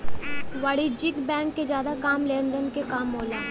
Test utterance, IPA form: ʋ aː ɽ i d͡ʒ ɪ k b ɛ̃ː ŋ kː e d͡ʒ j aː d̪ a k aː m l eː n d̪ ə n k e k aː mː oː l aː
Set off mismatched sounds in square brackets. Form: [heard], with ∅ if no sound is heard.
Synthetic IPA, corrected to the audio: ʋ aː ɽ i d͡ʒ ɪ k b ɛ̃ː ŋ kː e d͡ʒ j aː d̪ a k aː m l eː n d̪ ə n k e k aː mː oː l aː

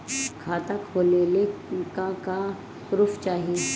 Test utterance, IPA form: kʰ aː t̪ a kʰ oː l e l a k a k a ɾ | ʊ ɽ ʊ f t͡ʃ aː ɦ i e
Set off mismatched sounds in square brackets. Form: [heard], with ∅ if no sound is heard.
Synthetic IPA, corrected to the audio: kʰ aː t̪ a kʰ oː l e l [e] k a k a [∅] | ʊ [ɾ] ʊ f t͡ʃ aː ɦ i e

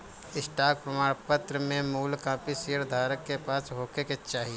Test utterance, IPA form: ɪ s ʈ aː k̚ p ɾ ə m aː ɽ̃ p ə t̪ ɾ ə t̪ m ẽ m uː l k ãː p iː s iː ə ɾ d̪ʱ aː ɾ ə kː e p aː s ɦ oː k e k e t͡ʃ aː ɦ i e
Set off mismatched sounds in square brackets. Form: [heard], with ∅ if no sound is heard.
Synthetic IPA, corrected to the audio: ɪ s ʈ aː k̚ p ɾ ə m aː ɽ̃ p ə t̪ ɾ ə [∅] m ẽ m uː l k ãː p [i] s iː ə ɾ d̪ʱ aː ɾ ə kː e p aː s ɦ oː k e k e t͡ʃ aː ɦ i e

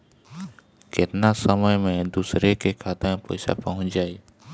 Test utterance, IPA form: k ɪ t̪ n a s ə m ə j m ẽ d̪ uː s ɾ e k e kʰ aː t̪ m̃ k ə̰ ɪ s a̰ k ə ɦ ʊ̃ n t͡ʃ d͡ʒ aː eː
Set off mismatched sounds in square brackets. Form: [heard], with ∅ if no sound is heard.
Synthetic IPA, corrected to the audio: k ɪ t̪ n a s ə m ə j m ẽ d̪ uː s ɾ e k e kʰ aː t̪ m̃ [p] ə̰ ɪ s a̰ [p] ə ɦ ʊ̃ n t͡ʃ d͡ʒ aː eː

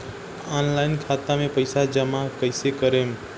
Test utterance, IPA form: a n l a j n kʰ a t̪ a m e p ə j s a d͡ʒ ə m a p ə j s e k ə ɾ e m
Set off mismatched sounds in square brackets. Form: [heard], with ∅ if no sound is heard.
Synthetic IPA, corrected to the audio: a n l a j n kʰ a t̪ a m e p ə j s a d͡ʒ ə m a [k] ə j s e k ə ɾ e m

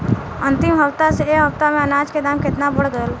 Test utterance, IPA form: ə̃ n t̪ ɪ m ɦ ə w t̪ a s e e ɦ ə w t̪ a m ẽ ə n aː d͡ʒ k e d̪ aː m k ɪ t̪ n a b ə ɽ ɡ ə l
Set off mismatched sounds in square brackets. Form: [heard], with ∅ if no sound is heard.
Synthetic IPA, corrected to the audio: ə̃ n t̪ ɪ m ɦ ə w t̪ a s e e ɦ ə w t̪ a m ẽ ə n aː d͡ʒ k e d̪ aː m k ɪ t̪ n a b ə ɽ ɡ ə l

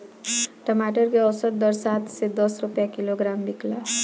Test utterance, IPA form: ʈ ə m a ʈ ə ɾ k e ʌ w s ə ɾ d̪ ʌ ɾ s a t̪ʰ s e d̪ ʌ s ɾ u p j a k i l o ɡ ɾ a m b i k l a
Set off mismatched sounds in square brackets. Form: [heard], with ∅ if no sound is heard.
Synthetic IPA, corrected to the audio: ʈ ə m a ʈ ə ɾ k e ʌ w s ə ɾ d̪ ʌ ɾ s a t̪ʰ s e d̪ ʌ s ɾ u p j a k i l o ɡ ɾ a m b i k l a

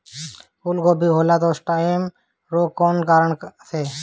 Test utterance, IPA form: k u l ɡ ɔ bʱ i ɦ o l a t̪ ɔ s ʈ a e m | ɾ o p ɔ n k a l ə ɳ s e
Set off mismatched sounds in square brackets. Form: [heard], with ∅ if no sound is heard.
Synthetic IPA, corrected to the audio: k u l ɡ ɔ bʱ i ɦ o l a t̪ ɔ s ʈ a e m | ɾ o [k] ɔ n k a [ɾ] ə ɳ s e

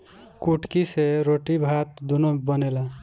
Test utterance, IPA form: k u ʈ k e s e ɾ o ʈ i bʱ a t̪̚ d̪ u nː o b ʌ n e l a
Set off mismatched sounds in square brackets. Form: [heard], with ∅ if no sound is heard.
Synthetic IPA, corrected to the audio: k u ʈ k [i] s e ɾ o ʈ i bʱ a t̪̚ d̪ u [n] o b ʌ n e l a

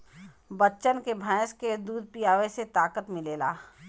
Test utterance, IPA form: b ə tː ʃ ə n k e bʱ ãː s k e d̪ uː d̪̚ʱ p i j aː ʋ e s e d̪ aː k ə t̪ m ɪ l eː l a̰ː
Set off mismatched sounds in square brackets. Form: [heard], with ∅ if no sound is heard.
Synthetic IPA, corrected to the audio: b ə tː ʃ ə n k e bʱ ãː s k e d̪ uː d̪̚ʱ p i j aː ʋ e s e [t̪] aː k ə t̪ m ɪ l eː l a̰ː

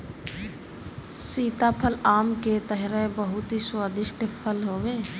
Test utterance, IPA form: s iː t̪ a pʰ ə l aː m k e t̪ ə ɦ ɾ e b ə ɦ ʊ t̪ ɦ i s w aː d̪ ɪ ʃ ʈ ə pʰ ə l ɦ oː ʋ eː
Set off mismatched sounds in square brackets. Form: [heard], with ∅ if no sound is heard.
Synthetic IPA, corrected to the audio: s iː t̪ a pʰ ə l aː m k e t̪ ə ɦ ɾ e b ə ɦ ʊ t̪ ɦ i s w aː d̪ ɪ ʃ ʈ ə pʰ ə l ɦ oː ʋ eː

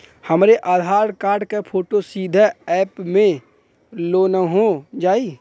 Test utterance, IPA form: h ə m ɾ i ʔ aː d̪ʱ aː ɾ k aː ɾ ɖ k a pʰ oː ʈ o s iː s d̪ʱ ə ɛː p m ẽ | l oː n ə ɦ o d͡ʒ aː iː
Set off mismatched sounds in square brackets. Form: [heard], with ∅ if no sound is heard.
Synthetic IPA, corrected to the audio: h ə m ɾ [e] ʔ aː d̪ʱ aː ɾ k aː ɾ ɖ k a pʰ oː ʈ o s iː [∅] d̪ʱ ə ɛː p m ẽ | l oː n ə ɦ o d͡ʒ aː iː

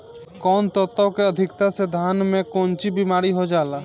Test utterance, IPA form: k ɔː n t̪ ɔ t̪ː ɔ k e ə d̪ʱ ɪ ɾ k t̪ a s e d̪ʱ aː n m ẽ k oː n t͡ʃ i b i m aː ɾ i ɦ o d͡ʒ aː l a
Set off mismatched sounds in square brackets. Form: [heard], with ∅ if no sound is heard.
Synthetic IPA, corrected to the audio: k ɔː n t̪ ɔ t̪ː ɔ k e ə d̪ʱ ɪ [∅] k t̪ a s e d̪ʱ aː n m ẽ k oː n t͡ʃ i b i m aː ɾ i ɦ o d͡ʒ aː l a

